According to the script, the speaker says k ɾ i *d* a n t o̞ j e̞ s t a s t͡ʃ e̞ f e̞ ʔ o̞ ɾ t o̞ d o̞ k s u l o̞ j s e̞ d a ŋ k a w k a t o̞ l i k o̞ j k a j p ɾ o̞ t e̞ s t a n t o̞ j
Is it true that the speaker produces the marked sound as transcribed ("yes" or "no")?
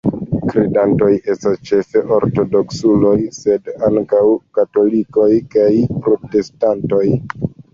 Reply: yes